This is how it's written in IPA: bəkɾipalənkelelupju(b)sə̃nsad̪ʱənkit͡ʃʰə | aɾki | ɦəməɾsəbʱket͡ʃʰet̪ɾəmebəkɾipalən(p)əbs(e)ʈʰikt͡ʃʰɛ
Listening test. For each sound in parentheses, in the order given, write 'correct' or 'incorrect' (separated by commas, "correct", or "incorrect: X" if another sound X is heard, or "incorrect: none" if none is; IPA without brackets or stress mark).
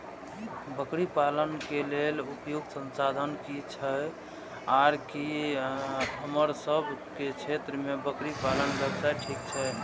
incorrect: ɡ, incorrect: b, incorrect: a